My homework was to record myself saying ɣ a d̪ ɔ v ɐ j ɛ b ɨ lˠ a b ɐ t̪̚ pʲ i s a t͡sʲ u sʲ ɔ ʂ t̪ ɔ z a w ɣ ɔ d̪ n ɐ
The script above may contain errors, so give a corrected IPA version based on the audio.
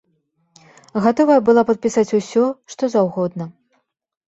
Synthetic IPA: ɣ a t̪ ɔ v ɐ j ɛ b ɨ lˠ a p ɐ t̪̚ pʲ i s a t͡sʲ u sʲ ɔ ʂ t̪ ɔ z a w ɣ ɔ d̪ n ɐ